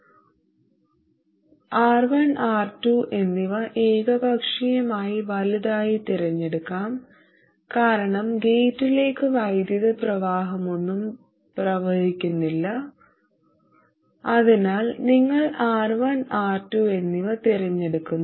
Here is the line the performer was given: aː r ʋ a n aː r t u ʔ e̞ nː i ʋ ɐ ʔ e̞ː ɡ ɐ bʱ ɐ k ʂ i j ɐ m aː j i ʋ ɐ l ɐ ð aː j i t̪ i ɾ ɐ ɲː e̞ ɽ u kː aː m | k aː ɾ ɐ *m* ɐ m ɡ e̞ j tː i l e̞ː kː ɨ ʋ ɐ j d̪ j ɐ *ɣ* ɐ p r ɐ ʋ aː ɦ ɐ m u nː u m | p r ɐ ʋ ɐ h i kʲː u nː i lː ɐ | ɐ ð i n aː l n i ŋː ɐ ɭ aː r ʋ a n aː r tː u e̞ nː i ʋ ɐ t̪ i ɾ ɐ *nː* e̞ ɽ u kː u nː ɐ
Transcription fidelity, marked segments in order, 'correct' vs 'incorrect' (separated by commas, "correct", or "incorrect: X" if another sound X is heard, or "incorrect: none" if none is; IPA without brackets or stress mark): incorrect: ɳ, incorrect: ð, incorrect: ɲː